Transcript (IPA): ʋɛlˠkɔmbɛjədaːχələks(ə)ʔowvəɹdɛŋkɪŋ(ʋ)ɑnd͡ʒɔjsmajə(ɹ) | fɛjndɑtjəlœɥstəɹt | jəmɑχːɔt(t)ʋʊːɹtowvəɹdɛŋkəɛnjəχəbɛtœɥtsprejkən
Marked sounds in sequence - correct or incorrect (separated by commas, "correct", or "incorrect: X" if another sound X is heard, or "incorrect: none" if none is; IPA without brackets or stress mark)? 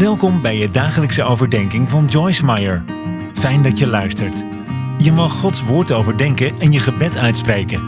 correct, incorrect: v, correct, incorrect: s